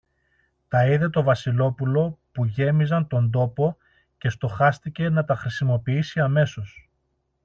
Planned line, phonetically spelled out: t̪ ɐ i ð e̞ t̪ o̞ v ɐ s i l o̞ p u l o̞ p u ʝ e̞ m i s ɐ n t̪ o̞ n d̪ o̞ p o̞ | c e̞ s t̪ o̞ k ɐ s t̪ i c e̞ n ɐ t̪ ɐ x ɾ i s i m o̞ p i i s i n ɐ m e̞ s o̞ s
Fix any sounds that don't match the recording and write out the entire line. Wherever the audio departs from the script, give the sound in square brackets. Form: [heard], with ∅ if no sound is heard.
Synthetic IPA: t̪ ɐ i ð e̞ t̪ o̞ v ɐ s i l o̞ p u l o̞ p u ʝ e̞ m i [z] ɐ n t̪ o̞ n d̪ o̞ p o̞ | c e̞ s t̪ o̞ [x] ɐ s t̪ i c e̞ n ɐ t̪ ɐ x ɾ i s i m o̞ p i i s i [∅] ɐ m e̞ s o̞ s